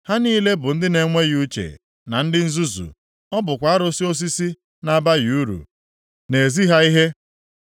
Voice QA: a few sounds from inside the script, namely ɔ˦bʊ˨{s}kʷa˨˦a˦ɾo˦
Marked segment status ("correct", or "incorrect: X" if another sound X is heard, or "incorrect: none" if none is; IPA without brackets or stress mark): incorrect: none